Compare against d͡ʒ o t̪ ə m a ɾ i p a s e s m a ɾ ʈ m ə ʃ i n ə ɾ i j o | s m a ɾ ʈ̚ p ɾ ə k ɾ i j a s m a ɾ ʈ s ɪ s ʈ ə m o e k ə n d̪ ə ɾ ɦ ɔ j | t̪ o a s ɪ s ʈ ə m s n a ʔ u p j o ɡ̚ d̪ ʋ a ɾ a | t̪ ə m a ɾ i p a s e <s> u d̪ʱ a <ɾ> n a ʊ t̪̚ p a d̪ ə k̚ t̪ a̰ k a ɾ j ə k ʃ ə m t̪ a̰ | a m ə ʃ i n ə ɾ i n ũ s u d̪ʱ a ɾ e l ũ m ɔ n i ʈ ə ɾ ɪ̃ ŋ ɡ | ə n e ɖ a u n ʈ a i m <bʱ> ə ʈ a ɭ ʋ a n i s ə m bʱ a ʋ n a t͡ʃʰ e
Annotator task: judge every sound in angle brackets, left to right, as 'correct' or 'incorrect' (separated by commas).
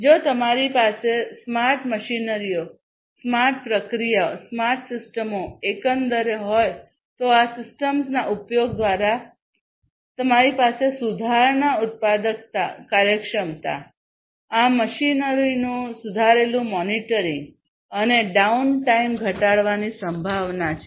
correct, correct, incorrect